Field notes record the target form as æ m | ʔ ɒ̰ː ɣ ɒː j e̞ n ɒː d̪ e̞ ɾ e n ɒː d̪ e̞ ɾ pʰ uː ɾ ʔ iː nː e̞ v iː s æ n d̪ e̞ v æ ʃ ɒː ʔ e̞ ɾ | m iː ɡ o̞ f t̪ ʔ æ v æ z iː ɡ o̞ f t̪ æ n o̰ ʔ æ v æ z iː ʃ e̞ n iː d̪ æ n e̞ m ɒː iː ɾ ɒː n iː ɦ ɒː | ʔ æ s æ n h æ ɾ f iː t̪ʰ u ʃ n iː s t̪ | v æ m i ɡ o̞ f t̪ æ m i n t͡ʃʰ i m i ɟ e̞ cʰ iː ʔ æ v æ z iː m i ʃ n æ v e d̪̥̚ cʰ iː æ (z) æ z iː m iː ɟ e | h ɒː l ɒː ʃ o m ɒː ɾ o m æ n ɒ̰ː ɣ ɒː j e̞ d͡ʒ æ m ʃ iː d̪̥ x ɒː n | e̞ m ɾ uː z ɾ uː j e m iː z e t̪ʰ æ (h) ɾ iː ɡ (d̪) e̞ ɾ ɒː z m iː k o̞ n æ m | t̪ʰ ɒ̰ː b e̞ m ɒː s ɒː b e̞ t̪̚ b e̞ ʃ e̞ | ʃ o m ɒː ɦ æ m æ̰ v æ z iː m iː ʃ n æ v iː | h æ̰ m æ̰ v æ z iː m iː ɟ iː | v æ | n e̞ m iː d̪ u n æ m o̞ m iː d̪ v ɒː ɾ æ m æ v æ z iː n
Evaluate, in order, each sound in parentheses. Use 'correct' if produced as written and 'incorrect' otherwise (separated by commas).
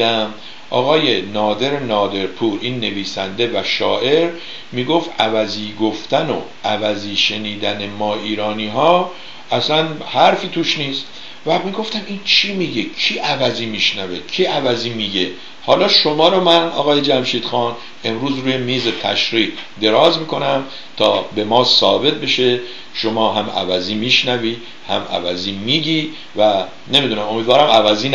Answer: incorrect, incorrect, correct